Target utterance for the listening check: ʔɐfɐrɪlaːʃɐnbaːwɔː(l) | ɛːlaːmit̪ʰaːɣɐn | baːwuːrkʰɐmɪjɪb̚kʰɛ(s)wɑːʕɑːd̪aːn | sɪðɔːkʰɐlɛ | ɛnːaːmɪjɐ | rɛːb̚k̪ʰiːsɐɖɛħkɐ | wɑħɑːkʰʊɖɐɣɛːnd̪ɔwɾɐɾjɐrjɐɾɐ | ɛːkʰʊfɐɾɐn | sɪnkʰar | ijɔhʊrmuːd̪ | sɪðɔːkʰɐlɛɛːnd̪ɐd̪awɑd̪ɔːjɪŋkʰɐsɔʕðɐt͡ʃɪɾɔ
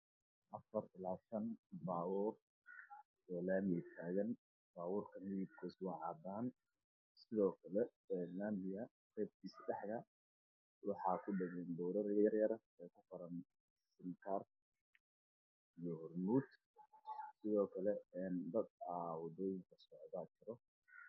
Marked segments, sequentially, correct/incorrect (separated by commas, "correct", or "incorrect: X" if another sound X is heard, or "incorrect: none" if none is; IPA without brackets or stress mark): incorrect: r, correct